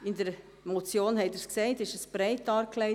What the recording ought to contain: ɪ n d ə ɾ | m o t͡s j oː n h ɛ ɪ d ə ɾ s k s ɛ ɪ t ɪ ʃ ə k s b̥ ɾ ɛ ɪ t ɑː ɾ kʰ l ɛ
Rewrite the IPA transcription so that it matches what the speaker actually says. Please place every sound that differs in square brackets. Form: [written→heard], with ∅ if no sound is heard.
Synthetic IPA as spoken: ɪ n d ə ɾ | m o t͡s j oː n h ɛ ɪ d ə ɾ s k s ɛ ɪ t ɪ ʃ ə [k→∅] s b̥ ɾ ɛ ɪ t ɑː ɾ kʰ l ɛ